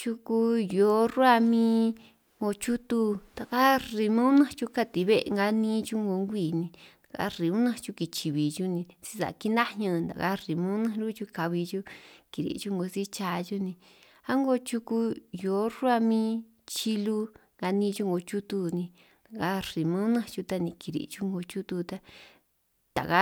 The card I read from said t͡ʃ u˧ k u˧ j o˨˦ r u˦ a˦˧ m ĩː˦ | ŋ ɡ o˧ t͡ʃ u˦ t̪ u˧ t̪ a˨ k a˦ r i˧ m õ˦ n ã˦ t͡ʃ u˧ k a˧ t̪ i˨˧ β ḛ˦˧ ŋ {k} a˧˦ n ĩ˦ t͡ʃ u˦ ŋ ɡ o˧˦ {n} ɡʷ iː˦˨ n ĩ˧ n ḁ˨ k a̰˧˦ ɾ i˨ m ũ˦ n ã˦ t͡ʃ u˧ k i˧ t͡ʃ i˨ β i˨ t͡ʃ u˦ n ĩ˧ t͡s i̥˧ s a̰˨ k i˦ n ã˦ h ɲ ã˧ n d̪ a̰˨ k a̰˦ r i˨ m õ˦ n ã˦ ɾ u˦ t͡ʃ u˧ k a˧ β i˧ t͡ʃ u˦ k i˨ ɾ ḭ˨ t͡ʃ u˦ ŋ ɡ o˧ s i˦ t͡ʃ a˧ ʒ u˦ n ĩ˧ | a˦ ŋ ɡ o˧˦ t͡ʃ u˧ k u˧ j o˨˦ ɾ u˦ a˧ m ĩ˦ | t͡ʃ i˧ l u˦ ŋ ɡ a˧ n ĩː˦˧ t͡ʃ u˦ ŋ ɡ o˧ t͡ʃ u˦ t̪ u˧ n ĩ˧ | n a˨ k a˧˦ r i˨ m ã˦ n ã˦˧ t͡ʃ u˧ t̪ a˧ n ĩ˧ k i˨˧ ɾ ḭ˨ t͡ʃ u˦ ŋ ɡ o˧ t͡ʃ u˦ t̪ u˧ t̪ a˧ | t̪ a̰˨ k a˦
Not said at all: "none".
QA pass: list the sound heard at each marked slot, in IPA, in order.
ɡ, ŋ

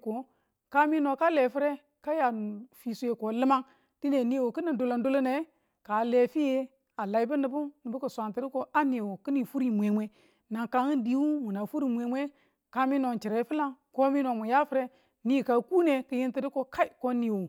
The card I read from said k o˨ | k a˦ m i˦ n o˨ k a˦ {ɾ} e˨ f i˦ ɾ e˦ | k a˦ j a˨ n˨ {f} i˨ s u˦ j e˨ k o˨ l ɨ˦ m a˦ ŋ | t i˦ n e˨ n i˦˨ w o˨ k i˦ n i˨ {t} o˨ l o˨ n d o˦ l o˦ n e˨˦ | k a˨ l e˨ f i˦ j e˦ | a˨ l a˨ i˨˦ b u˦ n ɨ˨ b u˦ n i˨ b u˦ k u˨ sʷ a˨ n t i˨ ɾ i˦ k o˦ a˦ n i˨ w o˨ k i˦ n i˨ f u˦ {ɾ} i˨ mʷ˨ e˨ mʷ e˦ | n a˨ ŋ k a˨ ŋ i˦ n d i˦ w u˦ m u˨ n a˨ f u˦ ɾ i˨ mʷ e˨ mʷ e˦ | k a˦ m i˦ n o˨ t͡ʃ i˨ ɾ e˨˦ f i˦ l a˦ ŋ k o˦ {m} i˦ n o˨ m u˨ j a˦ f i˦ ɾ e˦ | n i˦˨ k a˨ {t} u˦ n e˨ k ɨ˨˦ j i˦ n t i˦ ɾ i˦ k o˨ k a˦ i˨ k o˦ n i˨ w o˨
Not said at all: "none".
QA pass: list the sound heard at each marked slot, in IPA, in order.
l, f, d, ɾ, m, k

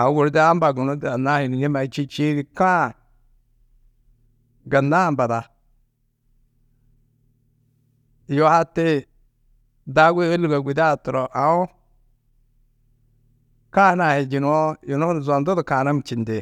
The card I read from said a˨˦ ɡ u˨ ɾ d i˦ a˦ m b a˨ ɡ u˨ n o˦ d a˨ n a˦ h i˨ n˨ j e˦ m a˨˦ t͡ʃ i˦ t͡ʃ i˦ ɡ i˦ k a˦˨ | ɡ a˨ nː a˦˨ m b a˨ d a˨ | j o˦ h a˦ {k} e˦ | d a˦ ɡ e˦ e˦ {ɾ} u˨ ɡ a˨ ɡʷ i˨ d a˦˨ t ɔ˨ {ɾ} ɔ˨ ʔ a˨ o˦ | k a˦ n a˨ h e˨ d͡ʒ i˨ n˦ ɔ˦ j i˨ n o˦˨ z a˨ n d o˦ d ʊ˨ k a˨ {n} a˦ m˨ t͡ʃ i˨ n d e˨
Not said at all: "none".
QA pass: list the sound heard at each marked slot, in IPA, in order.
t, l, ɾ, n

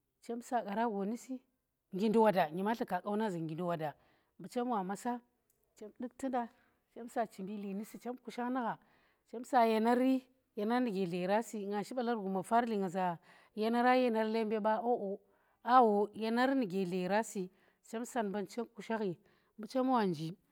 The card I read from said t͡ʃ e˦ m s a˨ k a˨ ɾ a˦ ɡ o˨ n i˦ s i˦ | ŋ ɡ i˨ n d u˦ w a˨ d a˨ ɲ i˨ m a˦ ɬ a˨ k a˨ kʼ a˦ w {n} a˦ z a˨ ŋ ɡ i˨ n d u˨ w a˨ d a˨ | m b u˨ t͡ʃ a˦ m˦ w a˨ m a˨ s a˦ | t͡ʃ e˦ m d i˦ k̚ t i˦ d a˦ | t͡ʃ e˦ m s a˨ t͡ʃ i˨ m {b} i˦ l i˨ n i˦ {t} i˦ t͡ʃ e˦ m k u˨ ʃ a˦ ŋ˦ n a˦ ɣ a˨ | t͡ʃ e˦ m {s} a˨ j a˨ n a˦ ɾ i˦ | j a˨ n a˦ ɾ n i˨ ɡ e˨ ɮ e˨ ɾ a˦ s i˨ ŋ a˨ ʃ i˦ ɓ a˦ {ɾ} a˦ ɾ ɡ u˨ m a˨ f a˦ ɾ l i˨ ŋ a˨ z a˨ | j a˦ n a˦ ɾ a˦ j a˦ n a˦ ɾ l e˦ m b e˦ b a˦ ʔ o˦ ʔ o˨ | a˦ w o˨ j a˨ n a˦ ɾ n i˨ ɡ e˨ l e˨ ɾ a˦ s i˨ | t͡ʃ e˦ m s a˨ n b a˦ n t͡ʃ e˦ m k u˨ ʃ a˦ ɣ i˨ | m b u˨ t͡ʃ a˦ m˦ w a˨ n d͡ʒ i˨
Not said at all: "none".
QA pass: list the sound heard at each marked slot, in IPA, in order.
n, b, s, s, l

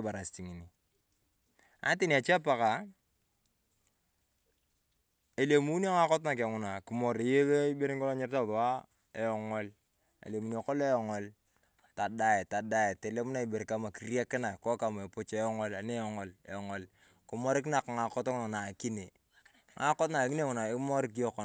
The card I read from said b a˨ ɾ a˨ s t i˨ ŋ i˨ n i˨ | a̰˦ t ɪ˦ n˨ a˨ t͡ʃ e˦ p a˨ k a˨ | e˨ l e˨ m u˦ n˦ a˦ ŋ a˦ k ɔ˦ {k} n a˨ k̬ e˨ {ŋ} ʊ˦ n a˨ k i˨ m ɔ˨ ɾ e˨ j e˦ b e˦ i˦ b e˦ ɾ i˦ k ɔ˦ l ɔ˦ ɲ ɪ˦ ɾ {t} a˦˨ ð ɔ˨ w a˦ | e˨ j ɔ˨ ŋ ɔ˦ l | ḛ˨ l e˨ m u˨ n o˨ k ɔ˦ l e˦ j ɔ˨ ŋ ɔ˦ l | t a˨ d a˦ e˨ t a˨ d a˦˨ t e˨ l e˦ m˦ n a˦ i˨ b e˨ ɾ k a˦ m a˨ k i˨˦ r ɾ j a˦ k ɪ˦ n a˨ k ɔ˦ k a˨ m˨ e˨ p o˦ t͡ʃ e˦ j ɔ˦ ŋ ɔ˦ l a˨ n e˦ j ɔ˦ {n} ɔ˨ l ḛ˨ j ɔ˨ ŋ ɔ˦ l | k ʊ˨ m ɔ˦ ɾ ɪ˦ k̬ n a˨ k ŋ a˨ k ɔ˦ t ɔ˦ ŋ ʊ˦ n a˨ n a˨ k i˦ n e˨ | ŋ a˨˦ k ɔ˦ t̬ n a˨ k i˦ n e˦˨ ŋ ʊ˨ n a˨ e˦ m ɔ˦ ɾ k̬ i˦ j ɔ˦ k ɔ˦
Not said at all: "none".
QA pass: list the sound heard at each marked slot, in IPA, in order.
t, ŋ, t, ŋ

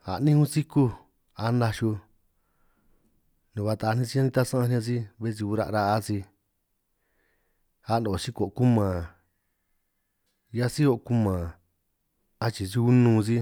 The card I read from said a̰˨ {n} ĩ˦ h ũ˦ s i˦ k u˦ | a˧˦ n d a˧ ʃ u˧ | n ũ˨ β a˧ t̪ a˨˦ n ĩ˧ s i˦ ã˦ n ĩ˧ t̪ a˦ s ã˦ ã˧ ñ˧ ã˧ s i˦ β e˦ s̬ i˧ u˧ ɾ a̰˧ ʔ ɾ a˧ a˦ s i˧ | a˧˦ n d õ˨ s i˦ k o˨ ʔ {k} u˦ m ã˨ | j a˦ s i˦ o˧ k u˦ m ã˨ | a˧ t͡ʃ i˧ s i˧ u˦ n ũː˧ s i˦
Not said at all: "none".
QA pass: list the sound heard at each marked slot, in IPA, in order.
n, k

